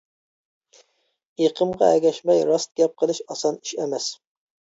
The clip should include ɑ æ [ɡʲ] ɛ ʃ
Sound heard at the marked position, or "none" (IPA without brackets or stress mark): ɡʲ